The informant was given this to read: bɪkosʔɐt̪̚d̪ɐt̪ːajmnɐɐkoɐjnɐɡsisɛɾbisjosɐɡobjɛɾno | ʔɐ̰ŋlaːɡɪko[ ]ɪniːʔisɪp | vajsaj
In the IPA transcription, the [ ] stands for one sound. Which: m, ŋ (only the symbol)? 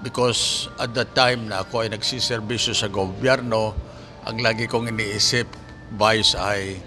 ŋ